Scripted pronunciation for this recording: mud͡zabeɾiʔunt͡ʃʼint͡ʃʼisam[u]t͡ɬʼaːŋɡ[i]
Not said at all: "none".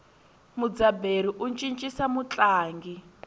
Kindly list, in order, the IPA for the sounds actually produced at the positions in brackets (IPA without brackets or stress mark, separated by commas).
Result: u, i